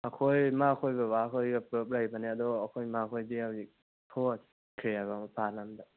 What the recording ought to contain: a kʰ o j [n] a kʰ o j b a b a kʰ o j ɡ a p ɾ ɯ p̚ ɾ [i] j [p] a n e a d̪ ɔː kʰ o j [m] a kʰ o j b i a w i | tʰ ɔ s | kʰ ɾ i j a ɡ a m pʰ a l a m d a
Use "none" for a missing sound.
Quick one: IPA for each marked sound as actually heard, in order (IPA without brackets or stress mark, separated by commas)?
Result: m, a, b, m